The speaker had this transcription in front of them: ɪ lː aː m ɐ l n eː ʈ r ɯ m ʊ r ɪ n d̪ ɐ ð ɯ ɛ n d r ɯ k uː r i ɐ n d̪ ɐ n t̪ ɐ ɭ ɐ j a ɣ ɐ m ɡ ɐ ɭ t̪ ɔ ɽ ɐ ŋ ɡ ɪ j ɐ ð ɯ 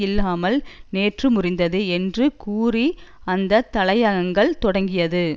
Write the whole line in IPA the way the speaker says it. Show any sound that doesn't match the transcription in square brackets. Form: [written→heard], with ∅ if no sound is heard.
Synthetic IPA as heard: ɪ lː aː m ɐ l n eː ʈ r ɯ m ʊ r ɪ n d̪ ɐ ð ɯ ɛ n d r ɯ k uː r i ɐ n d̪ ɐ [n→∅] t̪ ɐ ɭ ɐ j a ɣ ɐ [m→ŋ] ɡ ɐ ɭ t̪ ɔ ɽ ɐ ŋ ɡ ɪ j ɐ ð ɯ